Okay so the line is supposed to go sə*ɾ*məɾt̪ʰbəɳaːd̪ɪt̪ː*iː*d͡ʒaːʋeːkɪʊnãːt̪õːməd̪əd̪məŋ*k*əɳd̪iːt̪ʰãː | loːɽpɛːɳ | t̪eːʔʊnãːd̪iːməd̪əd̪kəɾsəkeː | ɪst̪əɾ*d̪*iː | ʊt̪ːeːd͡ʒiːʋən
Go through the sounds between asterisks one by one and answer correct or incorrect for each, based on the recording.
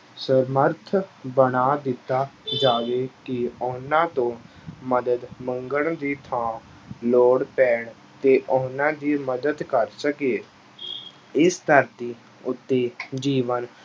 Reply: correct, incorrect, incorrect, incorrect

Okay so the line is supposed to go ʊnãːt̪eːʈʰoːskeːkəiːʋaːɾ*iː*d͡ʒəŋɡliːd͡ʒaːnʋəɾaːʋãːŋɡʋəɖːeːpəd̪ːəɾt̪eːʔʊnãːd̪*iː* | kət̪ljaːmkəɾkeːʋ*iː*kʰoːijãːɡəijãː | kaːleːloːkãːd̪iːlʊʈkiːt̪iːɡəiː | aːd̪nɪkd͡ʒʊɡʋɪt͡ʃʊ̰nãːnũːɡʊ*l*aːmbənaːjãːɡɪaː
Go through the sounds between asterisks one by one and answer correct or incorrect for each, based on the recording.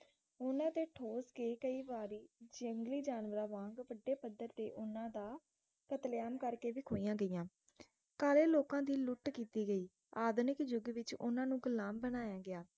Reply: correct, incorrect, correct, correct

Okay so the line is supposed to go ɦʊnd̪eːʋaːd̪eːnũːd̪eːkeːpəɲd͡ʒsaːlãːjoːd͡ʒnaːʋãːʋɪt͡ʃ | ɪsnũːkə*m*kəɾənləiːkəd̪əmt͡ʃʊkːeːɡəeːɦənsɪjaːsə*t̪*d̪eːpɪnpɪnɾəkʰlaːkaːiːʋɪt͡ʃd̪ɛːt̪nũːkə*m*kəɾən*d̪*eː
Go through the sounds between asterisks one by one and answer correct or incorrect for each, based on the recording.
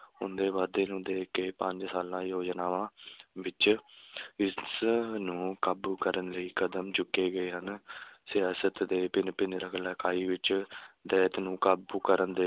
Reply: incorrect, correct, incorrect, correct

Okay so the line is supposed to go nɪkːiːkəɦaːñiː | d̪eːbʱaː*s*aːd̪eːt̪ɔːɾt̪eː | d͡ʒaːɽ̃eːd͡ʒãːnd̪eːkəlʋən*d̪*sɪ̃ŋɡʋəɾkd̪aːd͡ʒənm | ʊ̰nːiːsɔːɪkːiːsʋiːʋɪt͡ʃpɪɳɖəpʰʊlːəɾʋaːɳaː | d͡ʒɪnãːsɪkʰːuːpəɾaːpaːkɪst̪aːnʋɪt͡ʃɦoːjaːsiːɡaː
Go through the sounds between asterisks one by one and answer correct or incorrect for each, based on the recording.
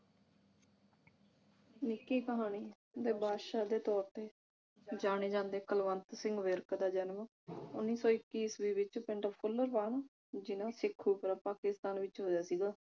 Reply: incorrect, incorrect

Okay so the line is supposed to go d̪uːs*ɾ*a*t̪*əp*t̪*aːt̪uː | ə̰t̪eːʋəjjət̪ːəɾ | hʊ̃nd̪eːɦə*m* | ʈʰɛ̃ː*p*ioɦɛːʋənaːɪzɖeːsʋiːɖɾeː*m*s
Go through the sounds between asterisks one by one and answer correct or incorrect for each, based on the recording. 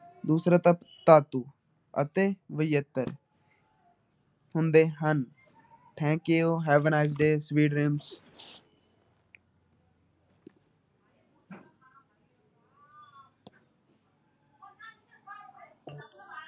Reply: correct, correct, correct, incorrect, incorrect, correct

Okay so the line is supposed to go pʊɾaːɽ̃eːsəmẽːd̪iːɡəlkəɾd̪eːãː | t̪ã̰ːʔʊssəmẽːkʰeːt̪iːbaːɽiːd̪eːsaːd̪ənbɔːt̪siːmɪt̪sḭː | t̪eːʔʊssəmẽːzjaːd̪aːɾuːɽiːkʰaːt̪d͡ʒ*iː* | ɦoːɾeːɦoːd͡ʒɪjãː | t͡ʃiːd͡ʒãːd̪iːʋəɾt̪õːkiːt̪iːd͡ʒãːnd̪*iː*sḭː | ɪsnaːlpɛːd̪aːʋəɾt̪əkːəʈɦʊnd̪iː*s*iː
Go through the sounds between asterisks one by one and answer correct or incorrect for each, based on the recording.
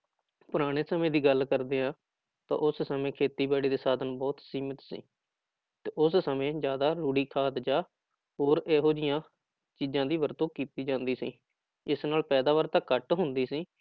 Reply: incorrect, correct, correct

